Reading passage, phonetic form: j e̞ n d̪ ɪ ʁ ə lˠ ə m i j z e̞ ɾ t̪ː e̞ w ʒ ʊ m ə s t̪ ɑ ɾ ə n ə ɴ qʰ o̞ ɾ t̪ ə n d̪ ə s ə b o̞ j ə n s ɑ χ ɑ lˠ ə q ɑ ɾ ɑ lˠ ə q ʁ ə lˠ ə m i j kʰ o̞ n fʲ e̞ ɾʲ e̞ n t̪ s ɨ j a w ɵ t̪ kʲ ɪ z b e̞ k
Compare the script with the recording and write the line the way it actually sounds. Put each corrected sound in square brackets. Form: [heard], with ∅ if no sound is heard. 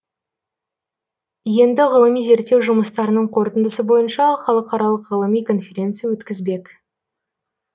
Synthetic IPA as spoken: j e̞ n d̪ ɪ ʁ ə lˠ ə m i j z e̞ ɾ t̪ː e̞ w ʒ ʊ m ə s t̪ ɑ ɾ ə n ə ɴ qʰ o̞ ɾ t̪ ə n d̪ ə s ə b o̞ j ə n [ʃ] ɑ χ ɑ lˠ ə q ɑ ɾ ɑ lˠ ə q ʁ ə lˠ ə m i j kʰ o̞ n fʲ e̞ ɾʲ e̞ n t̪ s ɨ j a w ɵ t̪ kʲ ɪ z b e̞ k